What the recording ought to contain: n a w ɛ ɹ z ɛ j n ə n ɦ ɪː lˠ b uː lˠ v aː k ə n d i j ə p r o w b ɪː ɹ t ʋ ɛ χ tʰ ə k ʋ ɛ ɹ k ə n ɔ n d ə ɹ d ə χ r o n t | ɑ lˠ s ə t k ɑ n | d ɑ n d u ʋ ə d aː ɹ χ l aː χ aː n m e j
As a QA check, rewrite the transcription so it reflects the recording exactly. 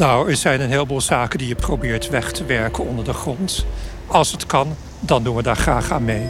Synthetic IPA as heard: n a w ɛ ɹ z ɛ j n ə n ɦ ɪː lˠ b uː lˠ z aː k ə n d i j ə p r o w b ɪː ɹ t ʋ ɛ χ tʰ ə ʋ ɛ ɹ k ə n ɔ n d ə ɹ d ə χ r ɔ n t | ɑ lˠ s ə t k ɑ n | d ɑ n d u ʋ ə d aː ɹ χ r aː χ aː n m e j